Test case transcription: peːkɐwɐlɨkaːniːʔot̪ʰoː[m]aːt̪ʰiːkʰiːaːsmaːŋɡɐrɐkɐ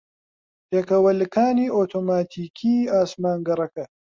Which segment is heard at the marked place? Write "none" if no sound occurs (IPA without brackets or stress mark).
m